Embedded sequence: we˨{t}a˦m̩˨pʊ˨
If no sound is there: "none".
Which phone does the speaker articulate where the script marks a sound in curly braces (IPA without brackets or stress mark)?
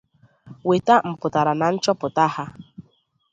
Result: t